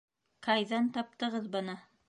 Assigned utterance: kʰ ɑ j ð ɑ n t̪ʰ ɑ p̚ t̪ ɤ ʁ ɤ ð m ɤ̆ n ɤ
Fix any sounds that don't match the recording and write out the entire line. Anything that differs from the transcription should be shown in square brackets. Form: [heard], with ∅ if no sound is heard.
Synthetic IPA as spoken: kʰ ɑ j ð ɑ n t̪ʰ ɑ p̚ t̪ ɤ ʁ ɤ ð [b] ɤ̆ n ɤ